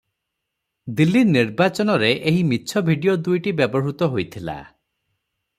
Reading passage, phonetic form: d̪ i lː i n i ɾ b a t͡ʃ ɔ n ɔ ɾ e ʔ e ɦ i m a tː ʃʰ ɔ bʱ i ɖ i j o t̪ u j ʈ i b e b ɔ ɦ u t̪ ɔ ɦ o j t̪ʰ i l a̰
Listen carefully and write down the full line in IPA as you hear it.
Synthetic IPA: d̪ i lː i n i ɾ b a t͡ʃ ɔ n ɔ ɾ e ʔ e ɦ i m i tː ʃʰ ɔ bʱ i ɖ i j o d̪ u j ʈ i b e b ɔ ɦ u t̪ ɔ ɦ o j t̪ʰ i l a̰